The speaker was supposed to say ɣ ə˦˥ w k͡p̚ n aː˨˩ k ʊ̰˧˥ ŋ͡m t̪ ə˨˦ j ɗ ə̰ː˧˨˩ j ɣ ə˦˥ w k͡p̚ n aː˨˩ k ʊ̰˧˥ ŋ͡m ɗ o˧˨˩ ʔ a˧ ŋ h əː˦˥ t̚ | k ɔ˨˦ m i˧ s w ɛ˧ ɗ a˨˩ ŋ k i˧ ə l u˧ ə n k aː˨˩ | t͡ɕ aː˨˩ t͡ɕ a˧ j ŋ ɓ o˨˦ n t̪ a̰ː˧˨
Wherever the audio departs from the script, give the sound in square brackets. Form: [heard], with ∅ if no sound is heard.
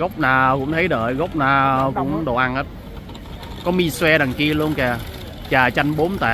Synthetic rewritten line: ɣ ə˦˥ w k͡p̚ n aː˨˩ k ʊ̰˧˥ ŋ͡m [t̪ʰ] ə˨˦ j ɗ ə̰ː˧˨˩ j ɣ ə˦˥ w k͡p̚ n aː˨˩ k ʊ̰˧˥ ŋ͡m ɗ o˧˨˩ ʔ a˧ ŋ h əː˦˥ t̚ | k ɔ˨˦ m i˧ s w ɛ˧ ɗ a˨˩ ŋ k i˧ ə l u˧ ə n k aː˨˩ | t͡ɕ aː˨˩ t͡ɕ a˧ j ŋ ɓ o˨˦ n t̪ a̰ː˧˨